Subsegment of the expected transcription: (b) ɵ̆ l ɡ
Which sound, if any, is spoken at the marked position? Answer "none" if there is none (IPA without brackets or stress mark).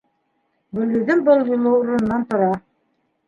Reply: b